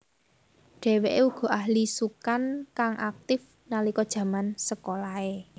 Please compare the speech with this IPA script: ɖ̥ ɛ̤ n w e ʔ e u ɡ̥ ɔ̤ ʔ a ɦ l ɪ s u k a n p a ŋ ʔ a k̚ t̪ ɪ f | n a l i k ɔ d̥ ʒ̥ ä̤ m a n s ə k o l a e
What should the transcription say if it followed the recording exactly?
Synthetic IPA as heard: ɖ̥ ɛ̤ w e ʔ e u ɡ̥ ɔ̤ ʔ a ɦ l i s u k a n k a ŋ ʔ a k̚ t̪ ɪ f | n a l i k ɔ d̥ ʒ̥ ä̤ m a n s ə k o l a e